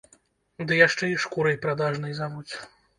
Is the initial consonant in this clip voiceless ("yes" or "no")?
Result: no